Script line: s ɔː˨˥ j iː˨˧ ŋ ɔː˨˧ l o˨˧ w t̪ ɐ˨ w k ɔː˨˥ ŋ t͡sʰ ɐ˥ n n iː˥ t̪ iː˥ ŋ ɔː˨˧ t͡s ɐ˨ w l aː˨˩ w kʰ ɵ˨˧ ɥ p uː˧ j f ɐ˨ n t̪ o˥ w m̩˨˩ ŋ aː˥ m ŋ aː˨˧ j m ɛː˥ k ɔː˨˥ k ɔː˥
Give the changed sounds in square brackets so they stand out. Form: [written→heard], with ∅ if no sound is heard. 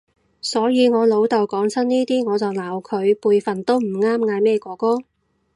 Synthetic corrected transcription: s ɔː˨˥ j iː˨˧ ŋ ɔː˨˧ l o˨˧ w t̪ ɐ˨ w k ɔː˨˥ ŋ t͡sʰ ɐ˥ n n iː˥ t̪ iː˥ ŋ ɔː˨˧ t͡s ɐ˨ w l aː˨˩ w kʰ ɵ˨˧ ɥ p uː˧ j f ɐ˨ n t̪ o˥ w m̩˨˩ ŋ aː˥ m ŋ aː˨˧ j m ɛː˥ k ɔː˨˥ k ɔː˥